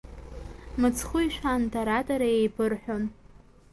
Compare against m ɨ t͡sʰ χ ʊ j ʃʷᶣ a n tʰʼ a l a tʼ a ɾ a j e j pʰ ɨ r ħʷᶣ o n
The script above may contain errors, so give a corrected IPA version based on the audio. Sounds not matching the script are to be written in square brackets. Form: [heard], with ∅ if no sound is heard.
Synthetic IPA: m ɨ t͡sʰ χ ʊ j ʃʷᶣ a n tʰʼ a [ɾ] a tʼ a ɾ a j e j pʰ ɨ r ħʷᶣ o n